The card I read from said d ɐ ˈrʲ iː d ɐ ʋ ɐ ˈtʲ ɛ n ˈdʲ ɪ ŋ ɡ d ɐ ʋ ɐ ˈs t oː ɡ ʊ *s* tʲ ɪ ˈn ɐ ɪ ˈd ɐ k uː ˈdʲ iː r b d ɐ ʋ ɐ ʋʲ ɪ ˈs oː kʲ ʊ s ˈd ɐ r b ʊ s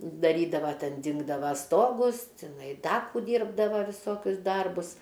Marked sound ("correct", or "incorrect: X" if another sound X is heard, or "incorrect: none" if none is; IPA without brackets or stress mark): correct